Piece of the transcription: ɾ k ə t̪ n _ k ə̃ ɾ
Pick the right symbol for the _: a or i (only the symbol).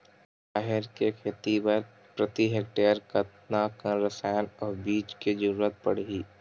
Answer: a